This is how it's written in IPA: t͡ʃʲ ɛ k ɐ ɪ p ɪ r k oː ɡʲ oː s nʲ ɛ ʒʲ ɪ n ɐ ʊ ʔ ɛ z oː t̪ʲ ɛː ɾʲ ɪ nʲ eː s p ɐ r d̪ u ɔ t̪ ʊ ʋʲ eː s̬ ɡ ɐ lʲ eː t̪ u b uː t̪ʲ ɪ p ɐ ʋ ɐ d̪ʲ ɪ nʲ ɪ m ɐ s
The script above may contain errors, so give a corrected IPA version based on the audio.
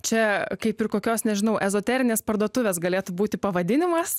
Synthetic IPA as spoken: t͡ʃʲ ɛ k ɐ ɪ p ɪ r k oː kʲ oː s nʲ ɛ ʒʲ ɪ n ɐ ʊ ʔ ɛ z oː t̪ʲ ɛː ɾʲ ɪ nʲ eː s p ɐ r d̪ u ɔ t̪ ʊ ʋʲ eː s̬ ɡ ɐ lʲ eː t̪ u b uː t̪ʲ ɪ p ɐ ʋ ɐ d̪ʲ ɪ nʲ ɪ m ɐ s

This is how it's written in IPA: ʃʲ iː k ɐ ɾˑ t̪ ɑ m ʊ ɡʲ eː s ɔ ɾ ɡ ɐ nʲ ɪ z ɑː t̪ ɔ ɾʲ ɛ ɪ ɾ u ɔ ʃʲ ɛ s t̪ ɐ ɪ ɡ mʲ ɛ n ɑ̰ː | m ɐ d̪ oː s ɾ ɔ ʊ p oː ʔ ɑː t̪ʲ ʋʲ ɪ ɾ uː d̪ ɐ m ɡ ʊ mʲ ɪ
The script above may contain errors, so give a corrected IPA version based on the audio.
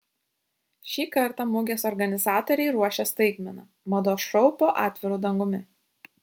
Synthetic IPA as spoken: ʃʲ iː k ɐ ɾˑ t̪ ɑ m ʊ ɡʲ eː s ɔ ɾ ɡ ɐ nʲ ɪ z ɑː t̪ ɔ ɾʲ ɛ ɪ ɾ u ɔ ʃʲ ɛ s t̪ ɐ ɪ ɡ mʲ ɛ n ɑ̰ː | m ɐ d̪ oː ʃ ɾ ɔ ʊ p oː ʔ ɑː t̪ʲ ʋʲ ɪ ɾ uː d̪ ɐ ŋ ɡ ʊ mʲ ɪ

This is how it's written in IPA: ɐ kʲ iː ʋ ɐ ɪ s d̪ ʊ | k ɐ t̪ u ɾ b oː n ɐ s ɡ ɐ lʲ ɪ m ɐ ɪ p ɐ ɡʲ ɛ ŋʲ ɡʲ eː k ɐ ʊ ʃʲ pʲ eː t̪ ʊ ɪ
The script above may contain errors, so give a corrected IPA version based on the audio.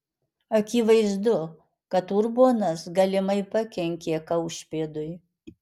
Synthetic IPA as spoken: ɐ kʲ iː ʋ ɐ ɪ z d̪ ʊ | k ɐ t̪ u ɾ b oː n ɐ s ɡ ɐ lʲ ɪ m ɐ ɪ p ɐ kʲ ɛ ŋʲ kʲ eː k ɐ ʊ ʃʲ pʲ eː d̪ ʊ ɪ

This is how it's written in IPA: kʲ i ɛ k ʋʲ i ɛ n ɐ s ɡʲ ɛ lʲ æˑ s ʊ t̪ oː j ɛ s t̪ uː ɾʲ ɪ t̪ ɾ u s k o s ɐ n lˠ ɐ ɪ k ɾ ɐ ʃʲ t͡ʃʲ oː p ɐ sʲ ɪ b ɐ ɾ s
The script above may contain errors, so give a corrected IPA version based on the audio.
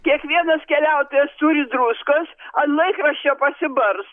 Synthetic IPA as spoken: kʲ i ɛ k ʋʲ i ɛ n ɐ s kʲ ɛ lʲ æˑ ʊ t̪ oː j ɛ s t̪ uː ɾʲ ɪ d̪ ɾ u s k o s ɐ n lˠ ɐ ɪ k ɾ ɐ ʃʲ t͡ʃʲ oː p ɐ sʲ ɪ b ɐ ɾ s

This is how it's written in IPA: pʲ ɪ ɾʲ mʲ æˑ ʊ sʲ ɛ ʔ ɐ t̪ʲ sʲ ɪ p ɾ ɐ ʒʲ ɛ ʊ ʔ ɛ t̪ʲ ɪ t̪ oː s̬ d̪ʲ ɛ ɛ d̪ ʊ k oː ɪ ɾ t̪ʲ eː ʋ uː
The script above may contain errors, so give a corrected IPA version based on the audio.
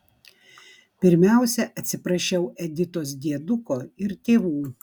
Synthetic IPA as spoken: pʲ ɪ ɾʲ mʲ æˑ ʊ sʲ ɛ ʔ ɐ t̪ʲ sʲ ɪ p ɾ ɐ ʃʲ ɛ ʊ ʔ ɛ d̪ʲ ɪ t̪ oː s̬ d̪ʲ i ɛ d̪ ʊ k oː ɪ ɾ t̪ʲ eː ʋ uː

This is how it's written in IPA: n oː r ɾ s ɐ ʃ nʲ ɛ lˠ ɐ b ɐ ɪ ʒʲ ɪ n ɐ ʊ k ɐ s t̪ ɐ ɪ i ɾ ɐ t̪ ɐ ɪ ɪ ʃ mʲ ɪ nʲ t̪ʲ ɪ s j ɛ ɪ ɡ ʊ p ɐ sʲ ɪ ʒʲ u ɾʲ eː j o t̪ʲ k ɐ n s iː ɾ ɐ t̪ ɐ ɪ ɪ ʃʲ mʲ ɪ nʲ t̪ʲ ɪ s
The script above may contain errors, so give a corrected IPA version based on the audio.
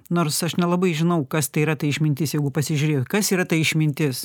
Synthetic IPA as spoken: n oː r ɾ s ɐ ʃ nʲ ɛ lˠ ɐ b ɐ ɪ ʒʲ ɪ n ɐ ʊ k ɐ s t̪ ɐ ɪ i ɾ ɐ t̪ ɐ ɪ ɪ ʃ mʲ ɪ nʲ t̪ʲ ɪ s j ɛ ɪ ɡ ʊ p ɐ sʲ ɪ ʒʲ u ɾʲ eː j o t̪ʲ k ɐ s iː ɾ ɐ t̪ ɐ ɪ ɪ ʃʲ mʲ ɪ nʲ t̪ʲ ɪ s

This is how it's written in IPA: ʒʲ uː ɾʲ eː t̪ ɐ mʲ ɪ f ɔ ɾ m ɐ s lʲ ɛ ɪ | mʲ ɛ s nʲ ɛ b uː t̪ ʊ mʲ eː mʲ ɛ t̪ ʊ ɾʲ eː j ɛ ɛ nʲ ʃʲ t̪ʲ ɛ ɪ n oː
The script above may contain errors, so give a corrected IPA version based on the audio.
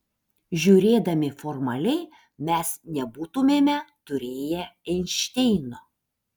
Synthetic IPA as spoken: ʒʲ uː ɾʲ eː d̪ ɐ mʲ ɪ f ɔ ɾ m ɐ lʲ ɛ ɪ | mʲ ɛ s nʲ ɛ b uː t̪ ʊ mʲ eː mʲ ɛ t̪ ʊ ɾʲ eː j ɛ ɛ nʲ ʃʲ t̪ʲ ɛ ɪ n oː

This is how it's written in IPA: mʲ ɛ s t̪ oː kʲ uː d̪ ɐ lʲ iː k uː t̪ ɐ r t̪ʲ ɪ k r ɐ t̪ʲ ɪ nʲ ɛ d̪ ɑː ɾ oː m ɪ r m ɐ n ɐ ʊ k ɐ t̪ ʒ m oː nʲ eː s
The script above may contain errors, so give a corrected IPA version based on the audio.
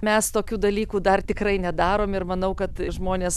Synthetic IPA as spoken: mʲ ɛ s t̪ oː kʲ uː d̪ ɐ lʲ iː k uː d̪ ɐ r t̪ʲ ɪ k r ɐ ɪ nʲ ɛ d̪ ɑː ɾ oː m ɪ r m ɐ n ɐ ʊ k ɐ t̪ ʒ m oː nʲ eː s

